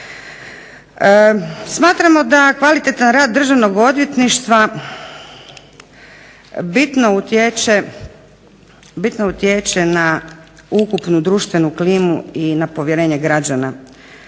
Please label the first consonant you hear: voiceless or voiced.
voiceless